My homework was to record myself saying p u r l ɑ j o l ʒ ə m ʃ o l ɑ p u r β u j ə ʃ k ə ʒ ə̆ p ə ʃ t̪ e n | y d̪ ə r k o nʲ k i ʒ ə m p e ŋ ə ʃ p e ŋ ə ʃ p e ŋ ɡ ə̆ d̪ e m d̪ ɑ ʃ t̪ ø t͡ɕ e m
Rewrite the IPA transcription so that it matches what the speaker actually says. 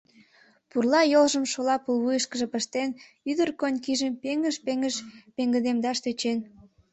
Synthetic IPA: p u r l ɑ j o l ʒ ə m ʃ o l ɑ p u l β u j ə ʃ k ə ʒ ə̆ p ə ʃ t̪ e n | y d̪ ə r k o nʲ k i ʒ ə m p e ŋ ə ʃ p e ŋ ə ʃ p e ŋ ɡ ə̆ d̪ e m d̪ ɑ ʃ t̪ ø t͡ɕ e n

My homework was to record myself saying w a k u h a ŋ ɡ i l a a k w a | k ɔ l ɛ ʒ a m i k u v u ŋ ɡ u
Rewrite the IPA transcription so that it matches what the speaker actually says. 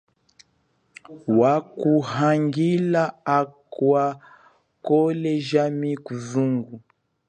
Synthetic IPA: w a k u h a ŋ ɡ i l a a k w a | k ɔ l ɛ ʒ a m i k u z u ŋ ɡ u

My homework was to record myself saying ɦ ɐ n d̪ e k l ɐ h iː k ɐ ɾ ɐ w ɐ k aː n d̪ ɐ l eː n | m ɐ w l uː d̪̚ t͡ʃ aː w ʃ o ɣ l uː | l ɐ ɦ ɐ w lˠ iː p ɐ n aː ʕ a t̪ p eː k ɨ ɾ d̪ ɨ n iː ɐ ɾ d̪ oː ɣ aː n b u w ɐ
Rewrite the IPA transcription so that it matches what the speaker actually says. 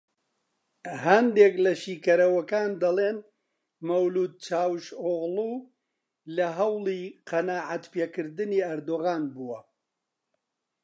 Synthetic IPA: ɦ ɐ n d̪ e k l ɐ ʃ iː k ɐ ɾ ɐ w ɐ k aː n d̪ ɐ l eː n | m ɐ w l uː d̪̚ t͡ʃ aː w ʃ o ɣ l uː | l ɐ ɦ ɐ w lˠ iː q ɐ n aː ʕ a t̪ p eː k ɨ ɾ d̪ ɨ n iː ɐ ɾ d̪ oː ɣ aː n b u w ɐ

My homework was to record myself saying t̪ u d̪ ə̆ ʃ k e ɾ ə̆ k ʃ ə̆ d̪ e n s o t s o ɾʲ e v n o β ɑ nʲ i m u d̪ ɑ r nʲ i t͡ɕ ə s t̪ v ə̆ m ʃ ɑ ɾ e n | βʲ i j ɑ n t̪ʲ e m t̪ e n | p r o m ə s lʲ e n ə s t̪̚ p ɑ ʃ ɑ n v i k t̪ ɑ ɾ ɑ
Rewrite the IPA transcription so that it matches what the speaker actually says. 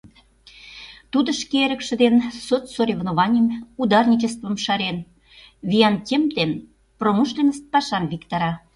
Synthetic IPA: t̪ u d̪ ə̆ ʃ k e ɾ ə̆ k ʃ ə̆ d̪ e n s o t s o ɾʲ e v n o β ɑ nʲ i m u d̪ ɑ r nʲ i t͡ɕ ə s t̪ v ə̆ m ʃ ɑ ɾ e n | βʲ i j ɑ n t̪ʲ e m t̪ e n | p r o m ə ʃ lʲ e n ə s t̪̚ p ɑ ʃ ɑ n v i k t̪ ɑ ɾ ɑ

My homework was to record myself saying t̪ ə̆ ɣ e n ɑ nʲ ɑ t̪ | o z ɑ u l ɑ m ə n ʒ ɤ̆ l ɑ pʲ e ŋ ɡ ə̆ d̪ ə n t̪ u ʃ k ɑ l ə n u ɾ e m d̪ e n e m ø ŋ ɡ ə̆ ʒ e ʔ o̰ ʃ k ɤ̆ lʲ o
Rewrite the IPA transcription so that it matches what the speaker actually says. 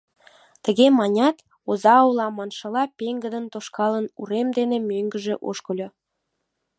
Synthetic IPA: t̪ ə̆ ɣ e m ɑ nʲ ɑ t̪ | o z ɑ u l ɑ m ɑ n ʃ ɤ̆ l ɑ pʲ e ŋ ɡ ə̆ d̪ ə n t̪ o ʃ k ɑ l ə n u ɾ e m d̪ e n e m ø ŋ ɡ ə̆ ʒ e ʔ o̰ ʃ k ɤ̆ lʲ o

